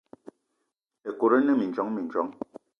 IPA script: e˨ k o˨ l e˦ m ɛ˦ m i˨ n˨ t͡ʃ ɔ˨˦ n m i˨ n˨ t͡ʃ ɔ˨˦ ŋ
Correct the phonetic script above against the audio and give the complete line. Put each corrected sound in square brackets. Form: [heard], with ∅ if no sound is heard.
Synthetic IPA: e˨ k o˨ [ɾ] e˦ [n] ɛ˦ m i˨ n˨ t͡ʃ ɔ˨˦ [ŋ] m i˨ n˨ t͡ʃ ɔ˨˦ ŋ